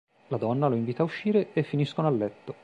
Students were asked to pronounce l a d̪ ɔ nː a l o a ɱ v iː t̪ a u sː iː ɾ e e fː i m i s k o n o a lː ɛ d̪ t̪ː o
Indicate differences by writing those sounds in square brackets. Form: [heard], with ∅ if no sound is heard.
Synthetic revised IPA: l a d̪ ɔ nː a l o [i] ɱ v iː t̪ a u [ʃː] iː ɾ e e fː i [n] i s k o n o a lː ɛ [∅] t̪ː o